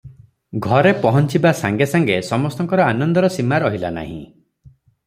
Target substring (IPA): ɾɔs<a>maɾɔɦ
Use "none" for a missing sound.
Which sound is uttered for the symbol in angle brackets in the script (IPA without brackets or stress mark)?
i